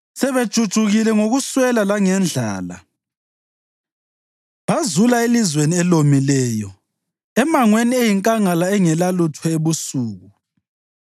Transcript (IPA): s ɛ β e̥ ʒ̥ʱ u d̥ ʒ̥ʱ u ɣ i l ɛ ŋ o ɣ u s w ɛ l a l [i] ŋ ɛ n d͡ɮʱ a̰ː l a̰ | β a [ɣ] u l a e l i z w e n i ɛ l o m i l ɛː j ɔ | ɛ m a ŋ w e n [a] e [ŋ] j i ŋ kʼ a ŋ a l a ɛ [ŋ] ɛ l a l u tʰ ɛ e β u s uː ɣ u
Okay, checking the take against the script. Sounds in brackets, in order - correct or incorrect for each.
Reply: incorrect: a, incorrect: z, incorrect: i, incorrect: none, correct

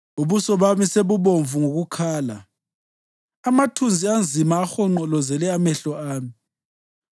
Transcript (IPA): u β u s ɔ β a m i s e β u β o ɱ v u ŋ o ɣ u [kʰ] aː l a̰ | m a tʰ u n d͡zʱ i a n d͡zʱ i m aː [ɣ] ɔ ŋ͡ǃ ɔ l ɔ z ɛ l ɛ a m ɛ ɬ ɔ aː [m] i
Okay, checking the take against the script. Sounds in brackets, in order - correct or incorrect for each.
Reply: correct, incorrect: x, correct

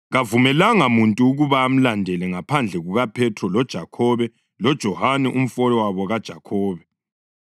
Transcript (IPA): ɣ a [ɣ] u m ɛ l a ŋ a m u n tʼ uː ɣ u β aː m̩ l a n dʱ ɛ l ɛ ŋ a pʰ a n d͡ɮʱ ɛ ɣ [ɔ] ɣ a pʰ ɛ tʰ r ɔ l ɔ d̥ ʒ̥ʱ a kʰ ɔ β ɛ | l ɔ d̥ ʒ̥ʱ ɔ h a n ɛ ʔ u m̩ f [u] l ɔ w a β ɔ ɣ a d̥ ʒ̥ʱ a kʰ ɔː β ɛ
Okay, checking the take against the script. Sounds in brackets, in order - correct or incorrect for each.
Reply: incorrect: v, incorrect: u, incorrect: ɔ

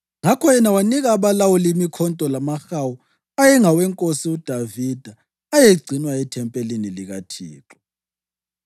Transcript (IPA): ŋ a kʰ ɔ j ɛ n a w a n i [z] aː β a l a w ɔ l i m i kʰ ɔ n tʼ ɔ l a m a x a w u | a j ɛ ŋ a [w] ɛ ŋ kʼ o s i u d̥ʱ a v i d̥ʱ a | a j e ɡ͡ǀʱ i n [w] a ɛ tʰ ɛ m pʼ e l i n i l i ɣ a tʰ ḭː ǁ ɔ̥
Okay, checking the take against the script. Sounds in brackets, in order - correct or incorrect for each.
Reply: incorrect: ɣ, correct, correct

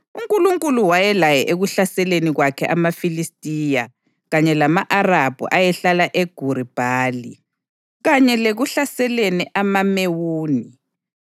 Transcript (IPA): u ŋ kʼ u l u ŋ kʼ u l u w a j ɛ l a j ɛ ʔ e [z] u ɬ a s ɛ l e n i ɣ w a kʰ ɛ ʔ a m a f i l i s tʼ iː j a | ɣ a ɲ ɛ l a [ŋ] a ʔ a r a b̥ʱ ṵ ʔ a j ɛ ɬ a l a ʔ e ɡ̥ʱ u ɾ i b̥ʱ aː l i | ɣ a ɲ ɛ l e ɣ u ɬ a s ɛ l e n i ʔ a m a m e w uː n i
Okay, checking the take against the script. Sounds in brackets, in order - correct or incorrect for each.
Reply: incorrect: ɣ, incorrect: m

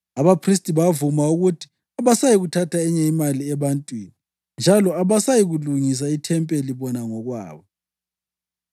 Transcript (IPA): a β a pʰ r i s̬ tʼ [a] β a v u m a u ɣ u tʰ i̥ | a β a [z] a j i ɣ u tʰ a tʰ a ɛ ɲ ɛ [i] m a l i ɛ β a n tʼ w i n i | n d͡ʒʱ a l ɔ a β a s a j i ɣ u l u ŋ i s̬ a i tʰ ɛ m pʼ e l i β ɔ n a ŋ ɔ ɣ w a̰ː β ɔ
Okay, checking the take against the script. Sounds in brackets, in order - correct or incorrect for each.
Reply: incorrect: i, incorrect: s, correct

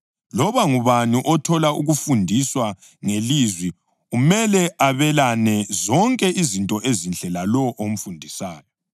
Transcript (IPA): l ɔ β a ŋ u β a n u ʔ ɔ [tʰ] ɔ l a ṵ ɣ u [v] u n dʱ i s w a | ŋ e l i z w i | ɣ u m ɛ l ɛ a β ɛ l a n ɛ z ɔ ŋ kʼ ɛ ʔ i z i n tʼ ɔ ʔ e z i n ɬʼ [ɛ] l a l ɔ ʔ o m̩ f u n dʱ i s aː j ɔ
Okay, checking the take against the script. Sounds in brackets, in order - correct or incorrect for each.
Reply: correct, incorrect: f, correct

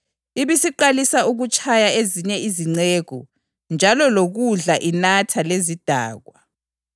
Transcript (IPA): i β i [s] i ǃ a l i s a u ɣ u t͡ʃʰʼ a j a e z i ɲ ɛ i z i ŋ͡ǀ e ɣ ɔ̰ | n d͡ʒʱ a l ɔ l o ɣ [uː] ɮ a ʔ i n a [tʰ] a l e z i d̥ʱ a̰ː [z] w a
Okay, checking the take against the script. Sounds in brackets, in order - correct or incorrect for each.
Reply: correct, incorrect: u, correct, incorrect: ɣ

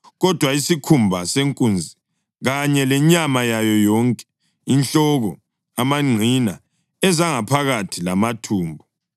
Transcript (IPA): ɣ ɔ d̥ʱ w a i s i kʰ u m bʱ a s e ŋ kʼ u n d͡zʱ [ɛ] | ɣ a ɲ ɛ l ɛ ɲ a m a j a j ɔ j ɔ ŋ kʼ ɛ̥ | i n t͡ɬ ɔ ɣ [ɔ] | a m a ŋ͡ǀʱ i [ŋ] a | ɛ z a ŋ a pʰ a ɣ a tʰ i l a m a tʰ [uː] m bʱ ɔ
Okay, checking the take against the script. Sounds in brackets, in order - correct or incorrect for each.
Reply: incorrect: i, correct, incorrect: n, correct

